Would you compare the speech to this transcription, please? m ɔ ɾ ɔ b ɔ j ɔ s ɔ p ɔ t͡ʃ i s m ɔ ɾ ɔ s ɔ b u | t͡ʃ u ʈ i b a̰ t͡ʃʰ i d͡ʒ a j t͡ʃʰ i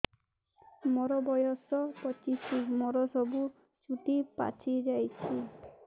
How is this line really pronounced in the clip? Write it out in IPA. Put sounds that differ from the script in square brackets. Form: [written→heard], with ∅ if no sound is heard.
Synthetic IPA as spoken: m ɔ ɾ ɔ b ɔ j ɔ s ɔ p ɔ t͡ʃ i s m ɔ ɾ ɔ s ɔ b u | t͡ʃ u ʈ i [b→p] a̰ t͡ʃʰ i d͡ʒ a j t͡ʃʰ i